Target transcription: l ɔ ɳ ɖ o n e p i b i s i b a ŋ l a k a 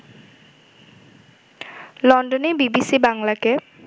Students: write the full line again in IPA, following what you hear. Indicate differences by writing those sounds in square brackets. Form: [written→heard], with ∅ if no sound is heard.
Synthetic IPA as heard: l ɔ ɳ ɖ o n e [p→b] i b i s i b a ŋ l a k [a→e]